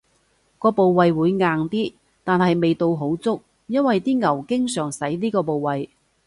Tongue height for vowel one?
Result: mid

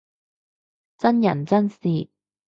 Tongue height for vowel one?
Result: low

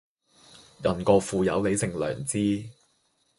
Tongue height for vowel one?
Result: low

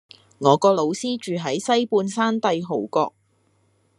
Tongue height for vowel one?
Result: mid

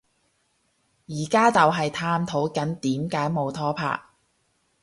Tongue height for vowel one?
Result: high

